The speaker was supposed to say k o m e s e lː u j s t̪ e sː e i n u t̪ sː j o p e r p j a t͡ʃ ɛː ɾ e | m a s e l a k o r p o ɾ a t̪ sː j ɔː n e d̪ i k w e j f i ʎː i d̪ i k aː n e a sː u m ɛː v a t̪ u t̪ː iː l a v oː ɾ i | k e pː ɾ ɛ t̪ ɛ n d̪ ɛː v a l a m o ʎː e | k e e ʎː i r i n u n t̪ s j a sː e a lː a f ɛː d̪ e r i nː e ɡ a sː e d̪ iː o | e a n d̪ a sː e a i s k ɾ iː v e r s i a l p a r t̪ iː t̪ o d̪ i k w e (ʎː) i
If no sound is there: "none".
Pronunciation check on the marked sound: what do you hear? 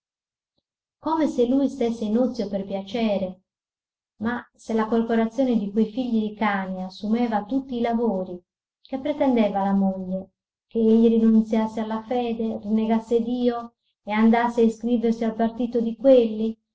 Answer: lː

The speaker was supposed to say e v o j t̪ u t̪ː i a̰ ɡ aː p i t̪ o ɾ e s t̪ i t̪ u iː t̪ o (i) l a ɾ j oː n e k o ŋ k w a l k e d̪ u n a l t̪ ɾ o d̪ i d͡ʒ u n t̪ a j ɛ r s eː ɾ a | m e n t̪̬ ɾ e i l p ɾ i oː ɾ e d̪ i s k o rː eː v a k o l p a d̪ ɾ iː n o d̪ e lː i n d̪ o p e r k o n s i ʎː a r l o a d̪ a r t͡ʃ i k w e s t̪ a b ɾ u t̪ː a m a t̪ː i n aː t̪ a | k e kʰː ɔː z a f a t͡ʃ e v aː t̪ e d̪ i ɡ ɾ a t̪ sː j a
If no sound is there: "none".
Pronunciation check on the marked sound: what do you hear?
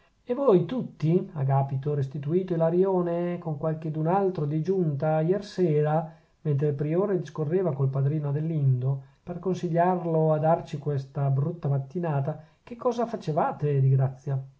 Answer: i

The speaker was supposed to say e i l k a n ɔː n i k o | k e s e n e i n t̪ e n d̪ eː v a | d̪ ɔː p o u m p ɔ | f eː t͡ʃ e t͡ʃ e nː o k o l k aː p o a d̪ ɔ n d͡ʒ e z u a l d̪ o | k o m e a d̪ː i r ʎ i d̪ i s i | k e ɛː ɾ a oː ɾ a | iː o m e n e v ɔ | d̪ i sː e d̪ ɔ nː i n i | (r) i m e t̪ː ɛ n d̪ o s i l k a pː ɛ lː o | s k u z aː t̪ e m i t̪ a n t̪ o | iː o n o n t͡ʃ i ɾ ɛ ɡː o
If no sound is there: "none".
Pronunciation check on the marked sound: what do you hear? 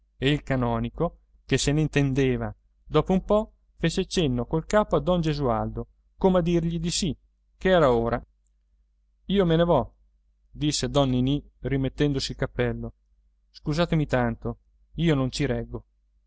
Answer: r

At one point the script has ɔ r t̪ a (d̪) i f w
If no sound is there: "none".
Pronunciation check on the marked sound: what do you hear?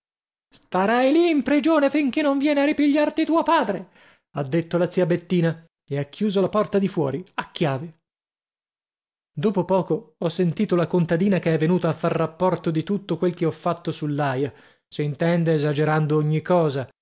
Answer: d̪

